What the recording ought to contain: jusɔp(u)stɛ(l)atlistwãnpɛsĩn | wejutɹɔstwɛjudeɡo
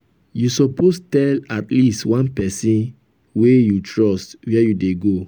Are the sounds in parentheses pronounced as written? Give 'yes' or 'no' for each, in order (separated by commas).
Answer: no, yes